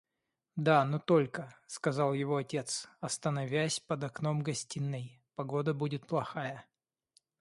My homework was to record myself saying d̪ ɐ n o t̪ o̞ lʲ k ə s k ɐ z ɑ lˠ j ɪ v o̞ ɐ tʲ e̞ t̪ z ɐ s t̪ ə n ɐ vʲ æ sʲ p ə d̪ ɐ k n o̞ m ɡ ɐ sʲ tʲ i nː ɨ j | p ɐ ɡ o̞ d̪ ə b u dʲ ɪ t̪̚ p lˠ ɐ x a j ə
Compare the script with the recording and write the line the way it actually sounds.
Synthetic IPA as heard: d̪ a n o t̪ o̞ lʲ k ə s k ɐ z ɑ lˠ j ɪ v o̞ ɐ tʲ e̞ t̪ s ɐ s t̪ ə n ɐ vʲ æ sʲ p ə d̪ ɐ k n o̞ m ɡ ɐ sʲ tʲ i nː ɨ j | p ɐ ɡ o̞ d̪ ə b u dʲ ɪ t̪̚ p lˠ ɐ x a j ə